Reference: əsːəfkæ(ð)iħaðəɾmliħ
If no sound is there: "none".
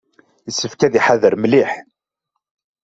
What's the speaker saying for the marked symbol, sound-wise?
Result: ð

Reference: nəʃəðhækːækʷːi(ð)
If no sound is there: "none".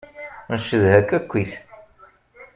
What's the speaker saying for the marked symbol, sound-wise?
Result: θ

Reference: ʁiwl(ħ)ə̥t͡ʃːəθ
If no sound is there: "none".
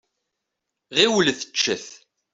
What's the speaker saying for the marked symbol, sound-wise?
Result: θ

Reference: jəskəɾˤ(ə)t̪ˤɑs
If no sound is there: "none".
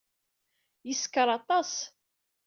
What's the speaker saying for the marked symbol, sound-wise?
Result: ɑ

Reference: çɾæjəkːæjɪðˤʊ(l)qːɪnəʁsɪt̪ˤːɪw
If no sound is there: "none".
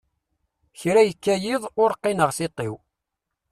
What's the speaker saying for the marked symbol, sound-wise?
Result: ɾ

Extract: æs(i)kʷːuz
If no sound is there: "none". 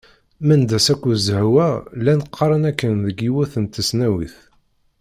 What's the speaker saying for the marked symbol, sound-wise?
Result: æ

